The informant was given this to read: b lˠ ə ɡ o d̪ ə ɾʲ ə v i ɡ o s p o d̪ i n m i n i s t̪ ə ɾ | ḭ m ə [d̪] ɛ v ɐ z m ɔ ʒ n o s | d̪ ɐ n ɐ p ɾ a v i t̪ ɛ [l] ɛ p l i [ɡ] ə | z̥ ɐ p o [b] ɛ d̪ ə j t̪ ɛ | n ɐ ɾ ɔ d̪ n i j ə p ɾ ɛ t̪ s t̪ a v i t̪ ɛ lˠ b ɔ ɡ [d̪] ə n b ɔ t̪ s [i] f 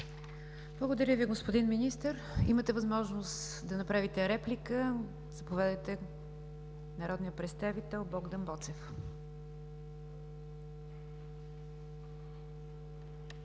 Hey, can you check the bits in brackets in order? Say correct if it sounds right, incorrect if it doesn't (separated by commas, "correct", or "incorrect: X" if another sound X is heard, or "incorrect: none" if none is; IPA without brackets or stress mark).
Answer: incorrect: t̪, incorrect: ɾ, incorrect: k, incorrect: v, correct, incorrect: ɛ